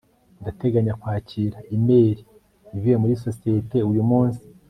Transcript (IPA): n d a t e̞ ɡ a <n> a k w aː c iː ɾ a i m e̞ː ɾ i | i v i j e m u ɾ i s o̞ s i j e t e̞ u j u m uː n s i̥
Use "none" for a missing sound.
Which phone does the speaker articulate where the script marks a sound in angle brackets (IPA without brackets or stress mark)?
ɲ